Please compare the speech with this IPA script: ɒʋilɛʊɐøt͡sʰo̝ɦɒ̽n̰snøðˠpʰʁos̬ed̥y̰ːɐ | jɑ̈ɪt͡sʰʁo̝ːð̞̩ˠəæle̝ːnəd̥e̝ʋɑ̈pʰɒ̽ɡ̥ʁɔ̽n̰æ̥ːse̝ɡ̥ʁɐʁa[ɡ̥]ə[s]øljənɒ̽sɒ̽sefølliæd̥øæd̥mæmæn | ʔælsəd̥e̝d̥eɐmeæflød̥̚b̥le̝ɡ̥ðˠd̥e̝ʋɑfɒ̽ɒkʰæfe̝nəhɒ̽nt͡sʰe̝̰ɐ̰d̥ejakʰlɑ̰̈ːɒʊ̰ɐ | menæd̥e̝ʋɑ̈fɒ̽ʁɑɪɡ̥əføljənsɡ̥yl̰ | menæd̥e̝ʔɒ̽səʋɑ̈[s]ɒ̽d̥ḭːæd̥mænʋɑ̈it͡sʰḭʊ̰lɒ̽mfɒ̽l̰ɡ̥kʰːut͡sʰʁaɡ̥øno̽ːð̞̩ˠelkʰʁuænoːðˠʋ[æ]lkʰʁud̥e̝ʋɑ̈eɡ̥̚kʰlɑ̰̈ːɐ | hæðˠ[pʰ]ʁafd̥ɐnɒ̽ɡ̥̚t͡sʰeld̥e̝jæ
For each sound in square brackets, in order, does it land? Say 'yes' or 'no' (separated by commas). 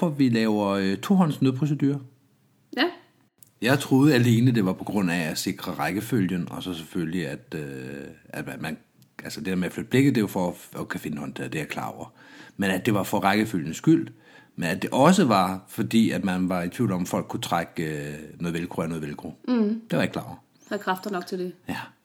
yes, no, no, no, no